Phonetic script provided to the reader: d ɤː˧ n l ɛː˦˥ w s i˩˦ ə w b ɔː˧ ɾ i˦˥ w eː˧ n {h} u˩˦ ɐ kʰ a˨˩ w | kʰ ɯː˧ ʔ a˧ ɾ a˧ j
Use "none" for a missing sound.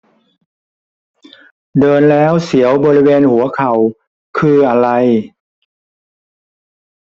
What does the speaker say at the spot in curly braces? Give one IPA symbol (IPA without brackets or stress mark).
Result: h